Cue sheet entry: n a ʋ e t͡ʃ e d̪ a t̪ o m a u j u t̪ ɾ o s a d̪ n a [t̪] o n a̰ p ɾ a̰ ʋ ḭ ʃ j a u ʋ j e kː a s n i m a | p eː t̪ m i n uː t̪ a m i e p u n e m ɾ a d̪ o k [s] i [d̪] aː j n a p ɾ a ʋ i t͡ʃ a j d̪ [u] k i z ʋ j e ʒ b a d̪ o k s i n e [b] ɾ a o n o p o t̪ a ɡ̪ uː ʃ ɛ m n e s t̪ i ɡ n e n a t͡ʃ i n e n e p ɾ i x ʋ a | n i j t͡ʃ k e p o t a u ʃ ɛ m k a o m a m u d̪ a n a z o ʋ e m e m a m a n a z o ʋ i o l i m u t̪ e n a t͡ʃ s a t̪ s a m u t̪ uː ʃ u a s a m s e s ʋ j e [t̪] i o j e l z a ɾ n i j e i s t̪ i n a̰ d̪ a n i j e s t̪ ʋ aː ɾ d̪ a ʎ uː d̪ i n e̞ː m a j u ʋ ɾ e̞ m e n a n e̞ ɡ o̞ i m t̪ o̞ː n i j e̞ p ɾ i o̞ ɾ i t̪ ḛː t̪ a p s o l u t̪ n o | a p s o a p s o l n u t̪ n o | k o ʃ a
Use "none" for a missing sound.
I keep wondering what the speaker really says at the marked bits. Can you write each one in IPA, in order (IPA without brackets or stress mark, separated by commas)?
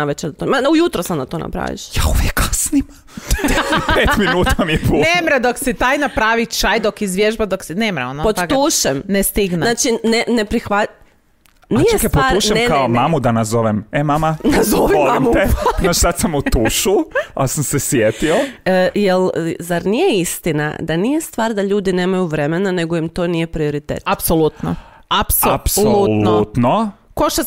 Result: t̪, s, t̪, o, m, t̪